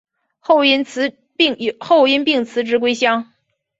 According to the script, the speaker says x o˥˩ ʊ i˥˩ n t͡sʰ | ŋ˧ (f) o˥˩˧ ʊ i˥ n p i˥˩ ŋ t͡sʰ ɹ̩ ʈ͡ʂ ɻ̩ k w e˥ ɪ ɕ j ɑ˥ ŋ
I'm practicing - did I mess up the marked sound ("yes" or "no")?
yes